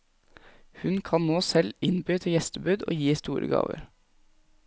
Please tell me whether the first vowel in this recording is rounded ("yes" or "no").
yes